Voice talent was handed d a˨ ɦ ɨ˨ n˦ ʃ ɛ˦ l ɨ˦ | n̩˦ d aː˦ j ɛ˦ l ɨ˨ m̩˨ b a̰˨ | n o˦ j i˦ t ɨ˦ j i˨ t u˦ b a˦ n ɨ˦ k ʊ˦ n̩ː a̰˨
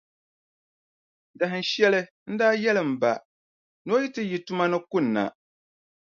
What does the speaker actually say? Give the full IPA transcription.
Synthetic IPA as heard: d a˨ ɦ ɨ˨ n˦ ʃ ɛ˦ l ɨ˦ | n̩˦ d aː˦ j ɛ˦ l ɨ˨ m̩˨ b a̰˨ | n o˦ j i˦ t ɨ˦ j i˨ t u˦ m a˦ n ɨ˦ k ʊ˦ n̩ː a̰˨

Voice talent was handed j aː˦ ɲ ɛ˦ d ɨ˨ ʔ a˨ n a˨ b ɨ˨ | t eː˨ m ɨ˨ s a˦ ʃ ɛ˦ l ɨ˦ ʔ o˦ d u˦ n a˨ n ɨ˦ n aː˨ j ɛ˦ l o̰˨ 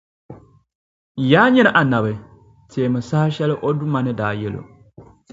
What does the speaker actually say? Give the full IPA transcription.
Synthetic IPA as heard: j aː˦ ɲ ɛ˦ n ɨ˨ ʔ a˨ n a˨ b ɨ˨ | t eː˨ m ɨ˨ s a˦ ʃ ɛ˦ l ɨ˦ ʔ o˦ d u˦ m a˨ n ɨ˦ d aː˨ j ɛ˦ l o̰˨

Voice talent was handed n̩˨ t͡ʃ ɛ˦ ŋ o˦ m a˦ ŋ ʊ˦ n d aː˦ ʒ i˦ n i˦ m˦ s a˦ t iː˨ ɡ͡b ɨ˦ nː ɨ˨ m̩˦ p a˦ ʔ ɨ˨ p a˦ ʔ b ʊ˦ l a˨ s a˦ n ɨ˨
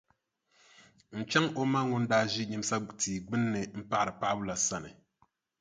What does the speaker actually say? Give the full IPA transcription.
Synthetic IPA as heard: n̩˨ t͡ʃ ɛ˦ ŋ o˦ m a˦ ŋ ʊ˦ n d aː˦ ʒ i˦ ɲ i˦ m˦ s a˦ t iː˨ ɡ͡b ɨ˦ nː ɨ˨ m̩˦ p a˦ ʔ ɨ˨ p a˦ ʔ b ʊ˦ l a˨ s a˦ n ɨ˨

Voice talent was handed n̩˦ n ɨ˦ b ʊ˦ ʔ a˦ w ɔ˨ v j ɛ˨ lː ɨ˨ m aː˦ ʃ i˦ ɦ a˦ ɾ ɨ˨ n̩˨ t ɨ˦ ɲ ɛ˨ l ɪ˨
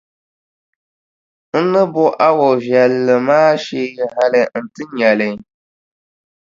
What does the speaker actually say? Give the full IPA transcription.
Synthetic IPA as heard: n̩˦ n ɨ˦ b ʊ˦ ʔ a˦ w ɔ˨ v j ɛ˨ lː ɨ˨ m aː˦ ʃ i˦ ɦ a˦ l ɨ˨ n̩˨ t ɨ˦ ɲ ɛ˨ l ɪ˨

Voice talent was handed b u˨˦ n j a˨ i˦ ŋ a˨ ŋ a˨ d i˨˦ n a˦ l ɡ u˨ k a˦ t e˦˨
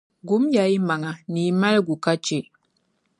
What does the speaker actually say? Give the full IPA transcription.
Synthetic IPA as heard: ɡ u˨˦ m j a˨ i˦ m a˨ ŋ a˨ n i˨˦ m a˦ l ɡ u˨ k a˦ t͡ʃ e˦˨

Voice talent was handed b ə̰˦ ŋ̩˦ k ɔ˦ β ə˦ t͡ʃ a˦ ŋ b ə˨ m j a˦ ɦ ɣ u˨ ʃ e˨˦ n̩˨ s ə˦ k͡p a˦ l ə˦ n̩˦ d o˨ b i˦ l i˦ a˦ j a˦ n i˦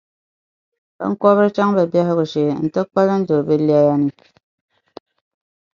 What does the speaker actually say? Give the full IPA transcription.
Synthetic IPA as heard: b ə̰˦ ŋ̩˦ k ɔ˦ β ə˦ t͡ʃ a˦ ŋ b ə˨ b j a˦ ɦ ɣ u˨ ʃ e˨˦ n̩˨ t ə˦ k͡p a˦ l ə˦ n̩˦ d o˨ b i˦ l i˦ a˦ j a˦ n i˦

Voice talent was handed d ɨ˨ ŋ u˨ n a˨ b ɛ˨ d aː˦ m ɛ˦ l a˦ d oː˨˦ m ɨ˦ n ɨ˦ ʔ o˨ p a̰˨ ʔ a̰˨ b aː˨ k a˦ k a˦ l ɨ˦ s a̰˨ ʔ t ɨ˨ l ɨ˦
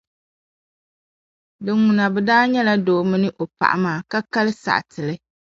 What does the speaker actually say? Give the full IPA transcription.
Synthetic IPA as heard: d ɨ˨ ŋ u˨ n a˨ b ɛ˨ d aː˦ ɲ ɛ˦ l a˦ d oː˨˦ m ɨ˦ n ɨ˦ ʔ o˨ p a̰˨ ʔ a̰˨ m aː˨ k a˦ k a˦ l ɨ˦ s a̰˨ ʔ t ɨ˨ l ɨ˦

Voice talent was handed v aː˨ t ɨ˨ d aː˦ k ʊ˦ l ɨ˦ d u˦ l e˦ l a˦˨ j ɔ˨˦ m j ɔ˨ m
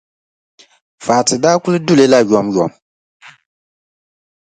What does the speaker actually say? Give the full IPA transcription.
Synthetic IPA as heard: f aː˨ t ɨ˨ d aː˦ k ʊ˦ l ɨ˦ d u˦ l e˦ l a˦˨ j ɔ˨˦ m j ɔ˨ m

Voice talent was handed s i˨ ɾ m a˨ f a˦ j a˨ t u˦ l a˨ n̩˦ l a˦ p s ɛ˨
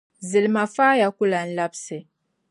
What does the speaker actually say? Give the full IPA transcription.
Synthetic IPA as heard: z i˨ l m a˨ f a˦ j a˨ k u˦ l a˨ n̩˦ l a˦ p s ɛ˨

